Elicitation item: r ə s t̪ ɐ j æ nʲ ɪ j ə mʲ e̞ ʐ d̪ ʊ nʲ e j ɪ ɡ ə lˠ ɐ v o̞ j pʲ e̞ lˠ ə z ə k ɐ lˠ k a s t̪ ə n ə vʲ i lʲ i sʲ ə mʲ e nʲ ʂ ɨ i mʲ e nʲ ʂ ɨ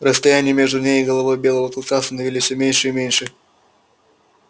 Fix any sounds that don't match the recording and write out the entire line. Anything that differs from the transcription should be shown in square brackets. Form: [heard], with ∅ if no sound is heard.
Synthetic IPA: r ə s t̪ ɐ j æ nʲ ɪ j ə mʲ e̞ ʐ d̪ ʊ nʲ e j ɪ ɡ ə lˠ ɐ v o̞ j [bʲ] e̞ lˠ ə [v] ə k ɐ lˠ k a s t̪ ə n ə vʲ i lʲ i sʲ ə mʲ e nʲ ʂ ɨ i mʲ e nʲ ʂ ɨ

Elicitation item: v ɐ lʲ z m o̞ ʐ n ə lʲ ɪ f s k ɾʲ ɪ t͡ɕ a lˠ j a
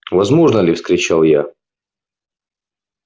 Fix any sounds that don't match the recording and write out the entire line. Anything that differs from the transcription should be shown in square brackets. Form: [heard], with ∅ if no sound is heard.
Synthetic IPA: v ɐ [∅] z m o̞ ʐ n ə lʲ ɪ f s k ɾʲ ɪ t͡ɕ a lˠ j a

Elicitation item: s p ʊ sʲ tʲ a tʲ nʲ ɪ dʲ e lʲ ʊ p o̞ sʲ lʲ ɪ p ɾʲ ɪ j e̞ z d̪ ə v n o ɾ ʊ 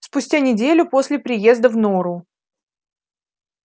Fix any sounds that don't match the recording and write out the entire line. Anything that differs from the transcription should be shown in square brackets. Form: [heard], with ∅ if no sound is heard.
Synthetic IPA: s p ʊ sʲ tʲ a [∅] nʲ ɪ dʲ e lʲ ʊ p o̞ sʲ lʲ ɪ p ɾʲ ɪ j e̞ z d̪ ə v n o ɾ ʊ

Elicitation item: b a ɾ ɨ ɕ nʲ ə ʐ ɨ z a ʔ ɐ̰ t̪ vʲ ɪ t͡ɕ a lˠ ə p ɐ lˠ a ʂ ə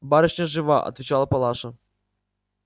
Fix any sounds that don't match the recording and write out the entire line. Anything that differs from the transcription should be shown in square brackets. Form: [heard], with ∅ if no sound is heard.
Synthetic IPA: b a ɾ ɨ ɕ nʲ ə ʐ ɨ [v] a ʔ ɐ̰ t̪ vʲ ɪ t͡ɕ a lˠ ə p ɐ lˠ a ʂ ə

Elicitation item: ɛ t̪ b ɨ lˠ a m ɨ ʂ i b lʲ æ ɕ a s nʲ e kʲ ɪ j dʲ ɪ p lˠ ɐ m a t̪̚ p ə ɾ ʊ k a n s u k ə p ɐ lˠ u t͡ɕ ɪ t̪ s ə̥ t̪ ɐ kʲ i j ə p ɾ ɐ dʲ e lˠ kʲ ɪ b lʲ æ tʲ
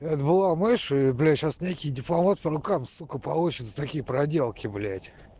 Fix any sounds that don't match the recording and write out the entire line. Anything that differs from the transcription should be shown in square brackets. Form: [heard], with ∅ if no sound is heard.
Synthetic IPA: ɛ t̪ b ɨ lˠ a m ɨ ʂ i b lʲ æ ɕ a s nʲ e kʲ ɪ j dʲ ɪ p lˠ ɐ m a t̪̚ p ə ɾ ʊ k a [m] s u k ə p ɐ lˠ u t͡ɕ ɪ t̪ s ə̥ t̪ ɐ kʲ i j ə p ɾ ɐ dʲ e lˠ kʲ ɪ b lʲ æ tʲ

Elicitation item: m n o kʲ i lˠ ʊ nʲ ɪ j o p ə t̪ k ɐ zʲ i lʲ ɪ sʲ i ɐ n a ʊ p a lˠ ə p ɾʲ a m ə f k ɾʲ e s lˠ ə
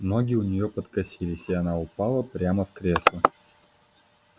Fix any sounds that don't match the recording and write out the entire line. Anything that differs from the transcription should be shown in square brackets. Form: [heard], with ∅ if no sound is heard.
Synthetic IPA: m n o [ɡʲ] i [∅] ʊ nʲ ɪ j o p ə t̪ k ɐ [sʲ] i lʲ ɪ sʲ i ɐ n a ʊ p a lˠ ə p ɾʲ a m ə f k ɾʲ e s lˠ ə

